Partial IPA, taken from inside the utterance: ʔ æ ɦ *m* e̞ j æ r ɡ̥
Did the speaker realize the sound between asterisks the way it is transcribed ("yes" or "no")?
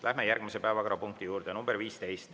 yes